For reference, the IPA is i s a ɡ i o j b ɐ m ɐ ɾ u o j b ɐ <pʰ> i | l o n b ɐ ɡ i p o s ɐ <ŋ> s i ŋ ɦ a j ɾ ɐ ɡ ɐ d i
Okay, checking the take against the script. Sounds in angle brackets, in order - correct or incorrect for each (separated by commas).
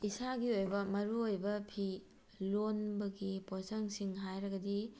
correct, correct